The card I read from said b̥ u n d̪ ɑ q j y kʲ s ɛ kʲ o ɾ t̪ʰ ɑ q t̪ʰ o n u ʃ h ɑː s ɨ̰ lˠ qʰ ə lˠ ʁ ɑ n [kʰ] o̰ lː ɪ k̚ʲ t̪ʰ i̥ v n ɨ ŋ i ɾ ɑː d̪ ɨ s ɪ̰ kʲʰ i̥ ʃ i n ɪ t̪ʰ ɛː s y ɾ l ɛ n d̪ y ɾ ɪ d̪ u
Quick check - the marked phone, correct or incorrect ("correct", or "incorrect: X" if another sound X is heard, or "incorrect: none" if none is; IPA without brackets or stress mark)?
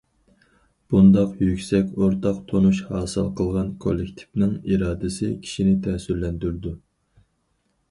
correct